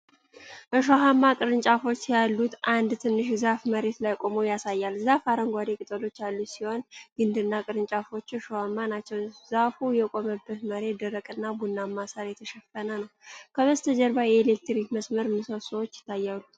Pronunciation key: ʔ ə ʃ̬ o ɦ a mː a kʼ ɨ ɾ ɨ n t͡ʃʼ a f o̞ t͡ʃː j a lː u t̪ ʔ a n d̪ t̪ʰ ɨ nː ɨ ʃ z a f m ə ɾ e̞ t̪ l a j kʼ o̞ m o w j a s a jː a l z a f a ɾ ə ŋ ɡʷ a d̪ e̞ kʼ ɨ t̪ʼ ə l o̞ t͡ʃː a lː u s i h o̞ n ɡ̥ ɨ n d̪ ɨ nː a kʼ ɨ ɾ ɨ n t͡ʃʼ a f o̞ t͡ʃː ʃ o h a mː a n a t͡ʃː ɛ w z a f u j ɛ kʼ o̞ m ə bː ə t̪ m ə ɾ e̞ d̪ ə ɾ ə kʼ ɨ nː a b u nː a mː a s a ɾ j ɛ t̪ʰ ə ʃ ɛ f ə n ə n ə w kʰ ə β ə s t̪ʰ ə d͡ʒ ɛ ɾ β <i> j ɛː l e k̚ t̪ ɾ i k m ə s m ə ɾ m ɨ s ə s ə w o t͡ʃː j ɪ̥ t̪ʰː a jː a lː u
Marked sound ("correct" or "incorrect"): incorrect